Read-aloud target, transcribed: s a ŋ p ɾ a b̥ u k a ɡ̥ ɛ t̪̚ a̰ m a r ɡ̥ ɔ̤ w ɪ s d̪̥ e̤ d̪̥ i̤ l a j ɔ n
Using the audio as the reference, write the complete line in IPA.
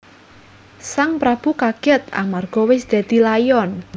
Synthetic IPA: s a ŋ p ɾ a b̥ u k a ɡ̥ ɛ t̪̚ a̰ m a r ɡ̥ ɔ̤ w ɪ s d̪̥ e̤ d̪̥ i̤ l a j ɔ n